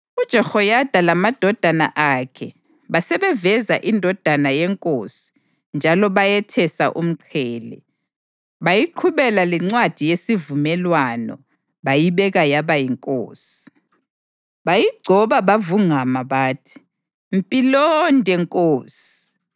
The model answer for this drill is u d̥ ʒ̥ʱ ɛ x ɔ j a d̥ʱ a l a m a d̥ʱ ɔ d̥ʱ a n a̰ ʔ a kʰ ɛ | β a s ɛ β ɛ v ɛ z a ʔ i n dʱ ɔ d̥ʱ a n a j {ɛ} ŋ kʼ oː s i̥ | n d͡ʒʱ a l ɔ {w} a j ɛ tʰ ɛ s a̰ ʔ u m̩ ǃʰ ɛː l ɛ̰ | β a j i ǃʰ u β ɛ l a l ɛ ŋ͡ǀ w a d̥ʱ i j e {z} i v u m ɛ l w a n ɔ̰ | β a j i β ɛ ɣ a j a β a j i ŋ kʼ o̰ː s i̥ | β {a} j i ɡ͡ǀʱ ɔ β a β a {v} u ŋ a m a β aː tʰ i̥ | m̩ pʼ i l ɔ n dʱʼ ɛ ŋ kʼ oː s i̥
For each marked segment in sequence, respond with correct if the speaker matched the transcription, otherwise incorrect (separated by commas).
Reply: correct, incorrect, incorrect, correct, correct